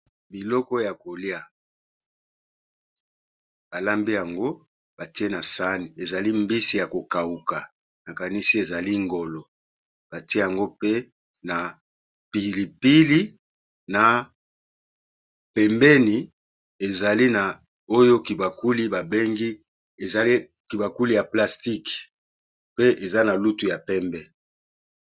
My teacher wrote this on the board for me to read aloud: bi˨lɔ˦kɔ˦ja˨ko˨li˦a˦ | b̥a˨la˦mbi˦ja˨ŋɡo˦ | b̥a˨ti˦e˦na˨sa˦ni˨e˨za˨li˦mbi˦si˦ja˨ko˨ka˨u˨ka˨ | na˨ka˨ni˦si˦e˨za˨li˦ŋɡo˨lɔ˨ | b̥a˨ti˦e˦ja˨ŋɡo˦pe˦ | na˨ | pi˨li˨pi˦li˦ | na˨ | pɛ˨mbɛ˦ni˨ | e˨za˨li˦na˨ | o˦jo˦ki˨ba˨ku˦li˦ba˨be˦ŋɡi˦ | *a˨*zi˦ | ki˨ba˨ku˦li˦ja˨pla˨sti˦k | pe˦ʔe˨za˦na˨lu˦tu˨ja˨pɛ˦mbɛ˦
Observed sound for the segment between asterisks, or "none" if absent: e˨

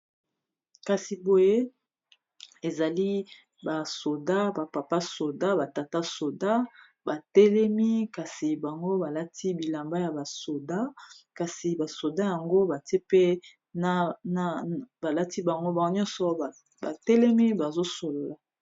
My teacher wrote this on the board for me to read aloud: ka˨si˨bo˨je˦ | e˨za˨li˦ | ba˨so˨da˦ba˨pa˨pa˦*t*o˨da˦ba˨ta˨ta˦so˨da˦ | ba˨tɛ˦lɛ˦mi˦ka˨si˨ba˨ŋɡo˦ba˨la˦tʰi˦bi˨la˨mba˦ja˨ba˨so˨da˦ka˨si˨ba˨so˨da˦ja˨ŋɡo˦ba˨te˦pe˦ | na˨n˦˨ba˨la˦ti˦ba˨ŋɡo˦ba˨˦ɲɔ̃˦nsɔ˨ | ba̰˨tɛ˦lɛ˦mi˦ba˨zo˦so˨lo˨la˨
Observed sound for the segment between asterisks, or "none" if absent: s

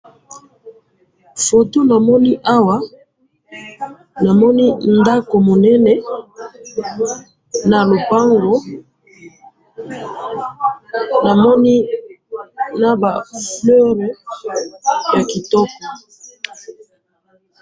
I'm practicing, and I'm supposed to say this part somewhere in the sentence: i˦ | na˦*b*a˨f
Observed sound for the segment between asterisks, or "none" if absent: b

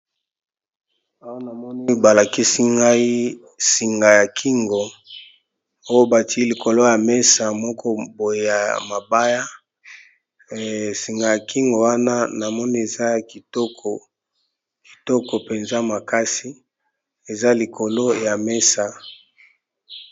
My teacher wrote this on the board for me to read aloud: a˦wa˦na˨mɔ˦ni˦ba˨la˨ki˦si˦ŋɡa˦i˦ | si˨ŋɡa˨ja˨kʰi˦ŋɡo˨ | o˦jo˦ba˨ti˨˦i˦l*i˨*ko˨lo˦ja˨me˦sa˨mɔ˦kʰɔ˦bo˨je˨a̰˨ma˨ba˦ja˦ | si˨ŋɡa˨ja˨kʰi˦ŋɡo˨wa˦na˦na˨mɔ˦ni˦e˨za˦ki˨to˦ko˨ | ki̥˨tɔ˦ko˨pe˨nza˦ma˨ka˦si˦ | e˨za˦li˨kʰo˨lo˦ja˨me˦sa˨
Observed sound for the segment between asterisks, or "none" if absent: i˨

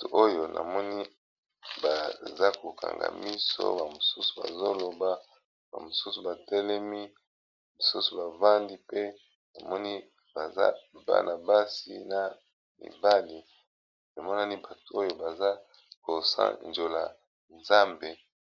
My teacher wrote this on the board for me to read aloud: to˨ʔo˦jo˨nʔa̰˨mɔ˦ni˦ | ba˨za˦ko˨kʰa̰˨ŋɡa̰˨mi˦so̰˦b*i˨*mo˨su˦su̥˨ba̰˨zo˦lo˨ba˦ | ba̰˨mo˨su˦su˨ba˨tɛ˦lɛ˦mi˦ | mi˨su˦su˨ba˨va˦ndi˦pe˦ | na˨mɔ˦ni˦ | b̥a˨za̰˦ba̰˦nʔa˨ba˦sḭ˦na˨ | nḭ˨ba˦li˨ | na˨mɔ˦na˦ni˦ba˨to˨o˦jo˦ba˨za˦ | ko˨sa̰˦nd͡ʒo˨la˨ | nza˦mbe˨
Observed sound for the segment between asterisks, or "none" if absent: a˨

